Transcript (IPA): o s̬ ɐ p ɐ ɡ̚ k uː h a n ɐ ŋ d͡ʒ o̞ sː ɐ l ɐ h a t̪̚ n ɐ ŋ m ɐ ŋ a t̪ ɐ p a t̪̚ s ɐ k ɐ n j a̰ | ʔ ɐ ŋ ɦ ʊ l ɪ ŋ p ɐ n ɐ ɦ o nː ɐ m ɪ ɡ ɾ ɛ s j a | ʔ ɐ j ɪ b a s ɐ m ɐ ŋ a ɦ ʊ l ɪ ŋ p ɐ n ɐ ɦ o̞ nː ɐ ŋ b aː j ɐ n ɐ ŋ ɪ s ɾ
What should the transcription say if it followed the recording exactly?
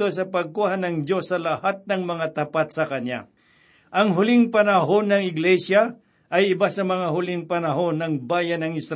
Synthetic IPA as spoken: o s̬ ɐ p ɐ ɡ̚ k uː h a n ɐ ŋ d͡ʒ o̞ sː ɐ l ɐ h a t̪̚ n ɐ ŋ m ɐ ŋ a t̪ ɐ p a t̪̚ s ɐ k ɐ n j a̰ | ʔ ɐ ŋ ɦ ʊ l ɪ ŋ p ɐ n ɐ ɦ o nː ɐ ŋ ɪ ɡ l ɛ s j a | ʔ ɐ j ɪ b a s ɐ m ɐ ŋ a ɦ ʊ l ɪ ŋ p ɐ n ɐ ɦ o̞ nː ɐ ŋ b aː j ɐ n ɐ ŋ ɪ s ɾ